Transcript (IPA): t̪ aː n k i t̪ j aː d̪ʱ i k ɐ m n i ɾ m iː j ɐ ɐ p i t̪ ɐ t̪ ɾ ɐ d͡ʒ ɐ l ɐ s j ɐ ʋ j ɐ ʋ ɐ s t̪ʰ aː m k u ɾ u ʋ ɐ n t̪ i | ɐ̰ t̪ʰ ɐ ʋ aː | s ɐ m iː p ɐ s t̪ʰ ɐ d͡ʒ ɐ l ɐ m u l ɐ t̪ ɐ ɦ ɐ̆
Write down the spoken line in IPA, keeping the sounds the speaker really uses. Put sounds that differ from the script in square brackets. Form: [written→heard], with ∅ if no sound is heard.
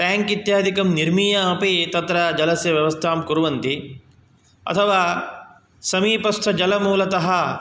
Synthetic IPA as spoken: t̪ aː [n→ŋ] k i t̪ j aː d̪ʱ i k ɐ m n i ɾ m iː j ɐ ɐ p i t̪ ɐ t̪ ɾ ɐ d͡ʒ ɐ l ɐ s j ɐ ʋ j ɐ ʋ ɐ s t̪ʰ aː m k u ɾ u ʋ ɐ n t̪ i | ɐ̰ t̪ʰ ɐ ʋ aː | s ɐ m iː p ɐ s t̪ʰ ɐ d͡ʒ ɐ l ɐ m [u→uː] l ɐ t̪ ɐ ɦ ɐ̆